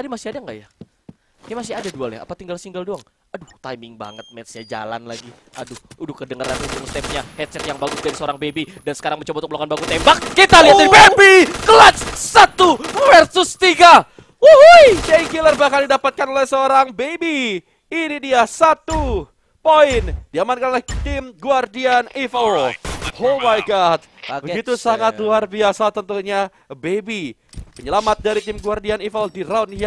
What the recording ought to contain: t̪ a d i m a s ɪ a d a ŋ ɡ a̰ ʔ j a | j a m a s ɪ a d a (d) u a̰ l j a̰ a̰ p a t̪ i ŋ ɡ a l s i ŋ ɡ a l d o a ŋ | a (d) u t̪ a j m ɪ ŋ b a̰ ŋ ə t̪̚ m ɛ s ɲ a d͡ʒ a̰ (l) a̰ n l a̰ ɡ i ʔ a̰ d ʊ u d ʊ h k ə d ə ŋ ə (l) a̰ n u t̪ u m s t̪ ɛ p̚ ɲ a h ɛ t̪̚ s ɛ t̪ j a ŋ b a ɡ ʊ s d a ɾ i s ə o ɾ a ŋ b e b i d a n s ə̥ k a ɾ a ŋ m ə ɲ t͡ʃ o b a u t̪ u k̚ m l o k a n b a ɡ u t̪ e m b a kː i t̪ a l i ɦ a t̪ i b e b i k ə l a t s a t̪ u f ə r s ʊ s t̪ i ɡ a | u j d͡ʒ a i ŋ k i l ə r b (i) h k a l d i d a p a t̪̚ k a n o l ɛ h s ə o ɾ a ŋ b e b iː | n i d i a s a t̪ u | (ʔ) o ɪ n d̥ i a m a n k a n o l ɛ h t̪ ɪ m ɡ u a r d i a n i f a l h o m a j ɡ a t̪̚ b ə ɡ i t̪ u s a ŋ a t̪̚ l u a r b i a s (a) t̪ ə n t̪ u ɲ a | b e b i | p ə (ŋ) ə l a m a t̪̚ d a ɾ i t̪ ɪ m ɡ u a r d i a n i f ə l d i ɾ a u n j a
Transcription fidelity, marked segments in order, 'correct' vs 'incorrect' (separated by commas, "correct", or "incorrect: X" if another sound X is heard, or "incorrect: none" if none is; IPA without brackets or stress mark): correct, correct, correct, incorrect: ɾ, incorrect: a, incorrect: p, correct, incorrect: ɲ